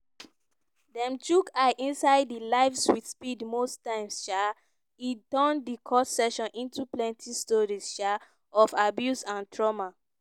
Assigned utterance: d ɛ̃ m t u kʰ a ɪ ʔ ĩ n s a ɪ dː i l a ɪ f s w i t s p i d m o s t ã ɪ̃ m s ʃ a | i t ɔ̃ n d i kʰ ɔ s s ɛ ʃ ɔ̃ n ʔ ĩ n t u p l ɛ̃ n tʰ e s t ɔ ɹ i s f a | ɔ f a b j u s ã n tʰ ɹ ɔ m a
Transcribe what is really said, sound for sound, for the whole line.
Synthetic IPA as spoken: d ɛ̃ m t u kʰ a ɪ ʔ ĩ n s a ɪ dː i l a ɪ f s w i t s p i d m o s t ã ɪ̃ m s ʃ a | i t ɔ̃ n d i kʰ ɔ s s ɛ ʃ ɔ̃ n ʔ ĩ n t u p l ɛ̃ n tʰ i s t ɔ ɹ i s ʃ a | ɔ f a b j u s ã n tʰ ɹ ɔ m a